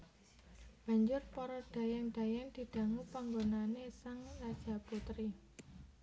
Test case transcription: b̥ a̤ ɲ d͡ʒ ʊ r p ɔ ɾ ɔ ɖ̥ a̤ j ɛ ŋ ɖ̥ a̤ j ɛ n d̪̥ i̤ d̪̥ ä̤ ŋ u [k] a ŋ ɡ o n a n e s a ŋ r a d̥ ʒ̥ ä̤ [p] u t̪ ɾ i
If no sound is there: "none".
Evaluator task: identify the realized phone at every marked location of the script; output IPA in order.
p, p

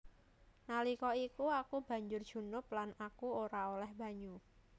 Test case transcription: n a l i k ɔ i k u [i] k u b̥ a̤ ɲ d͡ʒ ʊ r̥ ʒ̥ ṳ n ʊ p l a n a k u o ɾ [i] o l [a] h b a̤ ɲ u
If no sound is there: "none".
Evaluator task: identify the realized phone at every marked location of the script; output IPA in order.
a, a, ɛ

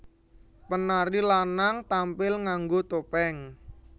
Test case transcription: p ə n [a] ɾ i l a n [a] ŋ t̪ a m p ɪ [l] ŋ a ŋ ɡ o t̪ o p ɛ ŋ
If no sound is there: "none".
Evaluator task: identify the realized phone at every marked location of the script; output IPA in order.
a, a, l

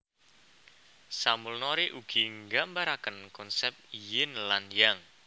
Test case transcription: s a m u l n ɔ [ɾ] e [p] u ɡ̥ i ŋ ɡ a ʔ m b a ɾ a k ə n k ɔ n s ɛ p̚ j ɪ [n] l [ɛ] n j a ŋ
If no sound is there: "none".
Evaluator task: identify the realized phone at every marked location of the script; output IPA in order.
ɾ, ʔ, n, a

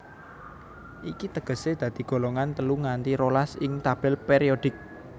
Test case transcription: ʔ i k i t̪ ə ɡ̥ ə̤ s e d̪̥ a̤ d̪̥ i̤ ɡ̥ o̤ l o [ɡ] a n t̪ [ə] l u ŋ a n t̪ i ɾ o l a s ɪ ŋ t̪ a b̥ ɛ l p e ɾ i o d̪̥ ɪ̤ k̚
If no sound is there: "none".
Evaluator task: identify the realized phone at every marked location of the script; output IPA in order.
ŋ, ə

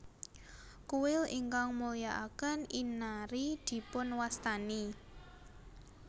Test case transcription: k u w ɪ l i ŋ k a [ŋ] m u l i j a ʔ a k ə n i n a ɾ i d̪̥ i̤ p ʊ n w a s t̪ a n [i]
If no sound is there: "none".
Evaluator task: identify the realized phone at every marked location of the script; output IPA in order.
ŋ, i

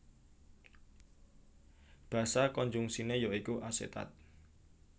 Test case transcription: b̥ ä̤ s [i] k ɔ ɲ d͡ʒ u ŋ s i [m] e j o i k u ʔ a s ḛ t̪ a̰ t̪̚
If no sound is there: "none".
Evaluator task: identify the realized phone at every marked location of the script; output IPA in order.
a, n

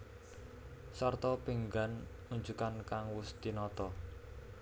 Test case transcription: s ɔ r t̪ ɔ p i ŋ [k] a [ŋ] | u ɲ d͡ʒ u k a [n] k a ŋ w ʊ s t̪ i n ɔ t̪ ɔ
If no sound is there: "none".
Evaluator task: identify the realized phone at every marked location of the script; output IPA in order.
ɡ, n, n

